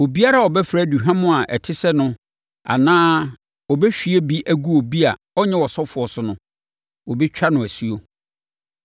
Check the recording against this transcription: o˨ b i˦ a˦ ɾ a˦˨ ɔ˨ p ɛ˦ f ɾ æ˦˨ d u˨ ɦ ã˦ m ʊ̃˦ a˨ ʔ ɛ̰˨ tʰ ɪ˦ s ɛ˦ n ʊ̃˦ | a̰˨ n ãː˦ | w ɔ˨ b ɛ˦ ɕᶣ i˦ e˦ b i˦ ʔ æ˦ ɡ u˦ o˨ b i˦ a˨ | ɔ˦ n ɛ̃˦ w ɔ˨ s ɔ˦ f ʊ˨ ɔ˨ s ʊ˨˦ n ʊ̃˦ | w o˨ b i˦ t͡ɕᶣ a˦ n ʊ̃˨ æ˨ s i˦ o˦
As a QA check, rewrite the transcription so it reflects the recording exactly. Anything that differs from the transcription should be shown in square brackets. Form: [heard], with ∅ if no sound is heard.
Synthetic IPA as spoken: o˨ b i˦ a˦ ɾ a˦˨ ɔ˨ [b] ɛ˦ f ɾ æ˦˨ d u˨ ɦ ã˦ m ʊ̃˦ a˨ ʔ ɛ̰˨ tʰ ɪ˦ s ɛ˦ n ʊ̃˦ | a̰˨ n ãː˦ | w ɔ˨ b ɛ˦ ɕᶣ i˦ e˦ b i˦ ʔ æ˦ ɡ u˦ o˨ b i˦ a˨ | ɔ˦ [ɲ] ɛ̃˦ w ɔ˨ s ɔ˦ f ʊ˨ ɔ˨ s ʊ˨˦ n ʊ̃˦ | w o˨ b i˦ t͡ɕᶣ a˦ n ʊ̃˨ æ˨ s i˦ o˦

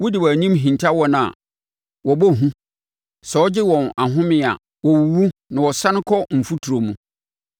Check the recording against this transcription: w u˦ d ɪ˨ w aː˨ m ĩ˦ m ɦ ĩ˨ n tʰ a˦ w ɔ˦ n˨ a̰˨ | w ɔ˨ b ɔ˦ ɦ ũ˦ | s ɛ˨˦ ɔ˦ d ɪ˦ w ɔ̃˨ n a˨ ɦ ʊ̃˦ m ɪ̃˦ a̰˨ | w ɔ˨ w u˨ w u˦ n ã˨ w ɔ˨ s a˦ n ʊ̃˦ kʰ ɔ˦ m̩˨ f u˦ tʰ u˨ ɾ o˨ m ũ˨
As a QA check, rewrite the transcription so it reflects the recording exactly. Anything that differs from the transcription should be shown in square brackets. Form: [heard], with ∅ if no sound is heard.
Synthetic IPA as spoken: w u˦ d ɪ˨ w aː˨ [ɲ] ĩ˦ m ɦ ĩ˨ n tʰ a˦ w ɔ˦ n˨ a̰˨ | w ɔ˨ b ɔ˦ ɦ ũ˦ | s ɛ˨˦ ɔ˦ [d͡ʑ] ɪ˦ w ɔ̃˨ n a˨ ɦ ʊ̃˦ m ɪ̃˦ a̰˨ | w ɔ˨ w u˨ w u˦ n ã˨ w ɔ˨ s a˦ n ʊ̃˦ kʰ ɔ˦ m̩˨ f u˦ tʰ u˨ ɾ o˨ m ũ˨

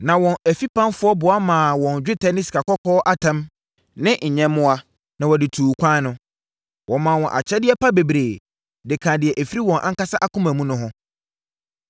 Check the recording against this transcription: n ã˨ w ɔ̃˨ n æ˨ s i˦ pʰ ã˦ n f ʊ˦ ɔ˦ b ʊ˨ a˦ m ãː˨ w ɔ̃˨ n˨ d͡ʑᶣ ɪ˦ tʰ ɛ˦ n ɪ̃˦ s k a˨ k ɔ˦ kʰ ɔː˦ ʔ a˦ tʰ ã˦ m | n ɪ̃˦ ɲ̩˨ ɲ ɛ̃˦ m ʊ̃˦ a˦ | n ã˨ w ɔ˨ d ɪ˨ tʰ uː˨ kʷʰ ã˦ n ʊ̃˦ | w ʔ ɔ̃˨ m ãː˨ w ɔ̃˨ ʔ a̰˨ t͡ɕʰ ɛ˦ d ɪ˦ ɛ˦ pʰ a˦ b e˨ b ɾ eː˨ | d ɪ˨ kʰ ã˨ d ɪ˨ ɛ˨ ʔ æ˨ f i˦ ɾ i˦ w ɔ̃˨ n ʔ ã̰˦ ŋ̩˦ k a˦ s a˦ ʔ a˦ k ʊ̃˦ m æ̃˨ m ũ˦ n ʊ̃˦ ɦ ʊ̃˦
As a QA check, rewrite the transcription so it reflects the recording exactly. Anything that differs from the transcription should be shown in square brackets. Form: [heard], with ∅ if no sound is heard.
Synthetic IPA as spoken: n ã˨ w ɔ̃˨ n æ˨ [f] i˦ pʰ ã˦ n f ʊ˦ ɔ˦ b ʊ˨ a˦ m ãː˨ w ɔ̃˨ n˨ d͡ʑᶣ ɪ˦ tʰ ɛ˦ n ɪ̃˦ s k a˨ k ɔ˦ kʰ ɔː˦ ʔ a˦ tʰ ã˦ m | n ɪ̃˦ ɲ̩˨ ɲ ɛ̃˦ m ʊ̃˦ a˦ | n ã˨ w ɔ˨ d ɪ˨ tʰ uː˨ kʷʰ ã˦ n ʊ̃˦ | w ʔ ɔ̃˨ m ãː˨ w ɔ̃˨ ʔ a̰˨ t͡ɕʰ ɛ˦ d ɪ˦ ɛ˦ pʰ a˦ b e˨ b ɾ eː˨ | d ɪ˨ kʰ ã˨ d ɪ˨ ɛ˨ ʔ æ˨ f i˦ ɾ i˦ w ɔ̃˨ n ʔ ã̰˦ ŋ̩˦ k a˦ s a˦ ʔ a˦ k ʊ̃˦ m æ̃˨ m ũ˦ n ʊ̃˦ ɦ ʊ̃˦

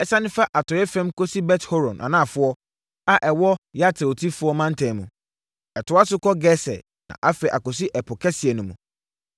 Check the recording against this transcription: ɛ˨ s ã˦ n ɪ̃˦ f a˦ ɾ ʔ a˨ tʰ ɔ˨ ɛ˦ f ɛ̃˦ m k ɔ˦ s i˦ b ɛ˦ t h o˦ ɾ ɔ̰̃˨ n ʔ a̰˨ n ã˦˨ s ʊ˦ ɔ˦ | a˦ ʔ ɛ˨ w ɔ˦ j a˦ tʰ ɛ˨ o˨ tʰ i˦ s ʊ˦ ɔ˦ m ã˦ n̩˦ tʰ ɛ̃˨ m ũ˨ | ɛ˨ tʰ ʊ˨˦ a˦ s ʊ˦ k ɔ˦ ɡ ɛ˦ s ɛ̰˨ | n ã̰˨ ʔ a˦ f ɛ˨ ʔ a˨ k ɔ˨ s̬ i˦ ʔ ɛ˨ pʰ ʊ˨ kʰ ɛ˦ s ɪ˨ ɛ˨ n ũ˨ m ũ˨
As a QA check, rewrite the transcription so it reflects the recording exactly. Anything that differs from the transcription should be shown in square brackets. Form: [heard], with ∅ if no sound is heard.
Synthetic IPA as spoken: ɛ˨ s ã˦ n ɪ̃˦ f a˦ [∅] ʔ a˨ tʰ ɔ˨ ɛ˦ f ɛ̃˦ m k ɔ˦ s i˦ b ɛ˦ t h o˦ ɾ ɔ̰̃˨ n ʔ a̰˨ n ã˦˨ [f] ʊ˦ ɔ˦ | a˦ ʔ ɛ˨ w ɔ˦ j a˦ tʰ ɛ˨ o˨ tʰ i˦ [f] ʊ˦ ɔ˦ m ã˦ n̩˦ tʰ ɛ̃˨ m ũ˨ | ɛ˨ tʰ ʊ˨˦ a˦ s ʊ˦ k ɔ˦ ɡ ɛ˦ s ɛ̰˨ | n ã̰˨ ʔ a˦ f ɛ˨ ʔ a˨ k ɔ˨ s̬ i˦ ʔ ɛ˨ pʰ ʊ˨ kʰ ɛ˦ s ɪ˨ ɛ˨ n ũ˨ m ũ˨

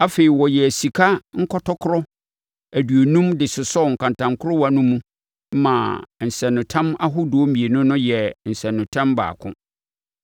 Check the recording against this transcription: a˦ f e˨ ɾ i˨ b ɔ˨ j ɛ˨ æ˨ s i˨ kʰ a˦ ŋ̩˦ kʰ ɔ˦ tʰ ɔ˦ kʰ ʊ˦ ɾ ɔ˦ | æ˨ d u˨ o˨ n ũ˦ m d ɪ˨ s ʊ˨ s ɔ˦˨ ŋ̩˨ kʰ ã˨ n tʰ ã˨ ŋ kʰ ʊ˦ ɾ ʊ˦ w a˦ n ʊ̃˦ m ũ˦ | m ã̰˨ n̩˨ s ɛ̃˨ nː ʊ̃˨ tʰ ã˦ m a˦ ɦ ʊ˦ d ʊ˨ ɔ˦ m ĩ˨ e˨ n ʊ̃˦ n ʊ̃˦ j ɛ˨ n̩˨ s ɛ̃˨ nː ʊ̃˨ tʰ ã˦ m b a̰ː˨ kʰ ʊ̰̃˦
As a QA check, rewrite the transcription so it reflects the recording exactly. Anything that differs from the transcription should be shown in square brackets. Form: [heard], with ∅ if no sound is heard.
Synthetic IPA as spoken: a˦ f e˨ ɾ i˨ [w] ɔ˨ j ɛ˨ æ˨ s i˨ kʰ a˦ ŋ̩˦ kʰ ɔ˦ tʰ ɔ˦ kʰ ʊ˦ ɾ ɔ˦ | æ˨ d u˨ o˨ n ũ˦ m d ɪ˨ s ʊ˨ s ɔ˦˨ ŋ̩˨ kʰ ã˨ n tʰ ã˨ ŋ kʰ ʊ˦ ɾ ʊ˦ w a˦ n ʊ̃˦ m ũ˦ | m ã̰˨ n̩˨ s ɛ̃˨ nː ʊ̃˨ tʰ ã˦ m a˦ ɦ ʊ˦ d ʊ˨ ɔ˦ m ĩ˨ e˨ n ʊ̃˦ n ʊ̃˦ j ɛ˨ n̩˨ s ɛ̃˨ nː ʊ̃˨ tʰ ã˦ m b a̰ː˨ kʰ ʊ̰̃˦

